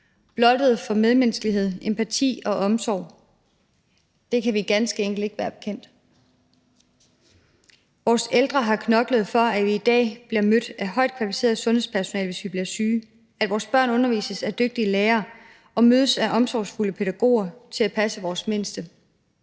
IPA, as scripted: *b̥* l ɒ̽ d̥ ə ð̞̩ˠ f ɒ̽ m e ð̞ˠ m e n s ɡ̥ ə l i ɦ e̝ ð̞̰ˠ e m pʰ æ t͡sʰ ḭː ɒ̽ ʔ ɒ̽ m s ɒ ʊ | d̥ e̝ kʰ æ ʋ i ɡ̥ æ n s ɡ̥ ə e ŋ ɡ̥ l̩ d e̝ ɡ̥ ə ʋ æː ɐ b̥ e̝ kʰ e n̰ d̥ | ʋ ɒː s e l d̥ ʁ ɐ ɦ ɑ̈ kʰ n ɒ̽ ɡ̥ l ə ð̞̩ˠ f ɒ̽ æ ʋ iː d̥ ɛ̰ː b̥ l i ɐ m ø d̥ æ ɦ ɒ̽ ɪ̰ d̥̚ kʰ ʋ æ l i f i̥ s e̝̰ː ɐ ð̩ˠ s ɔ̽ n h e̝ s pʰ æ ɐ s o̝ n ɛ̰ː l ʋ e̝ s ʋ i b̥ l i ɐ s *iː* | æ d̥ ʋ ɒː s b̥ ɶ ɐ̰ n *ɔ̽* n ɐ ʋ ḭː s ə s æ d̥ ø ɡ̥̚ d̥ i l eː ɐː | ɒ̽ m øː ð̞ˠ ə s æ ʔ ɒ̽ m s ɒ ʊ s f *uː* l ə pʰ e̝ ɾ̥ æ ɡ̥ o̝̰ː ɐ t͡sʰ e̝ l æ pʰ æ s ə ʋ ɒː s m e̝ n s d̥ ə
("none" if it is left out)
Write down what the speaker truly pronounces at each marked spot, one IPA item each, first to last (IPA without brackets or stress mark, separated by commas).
b̥, yː, ɔ̽, u